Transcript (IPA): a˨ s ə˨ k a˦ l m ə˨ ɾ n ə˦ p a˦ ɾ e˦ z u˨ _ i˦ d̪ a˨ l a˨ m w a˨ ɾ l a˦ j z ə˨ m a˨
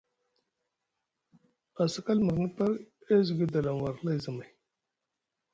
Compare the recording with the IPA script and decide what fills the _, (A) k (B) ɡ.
B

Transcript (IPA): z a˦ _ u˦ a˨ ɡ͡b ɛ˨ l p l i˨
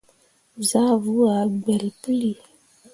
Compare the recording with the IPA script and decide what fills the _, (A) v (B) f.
A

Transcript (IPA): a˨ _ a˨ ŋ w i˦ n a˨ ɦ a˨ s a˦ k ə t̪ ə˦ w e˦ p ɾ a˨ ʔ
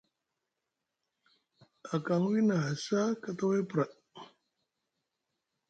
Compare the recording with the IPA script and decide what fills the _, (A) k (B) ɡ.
A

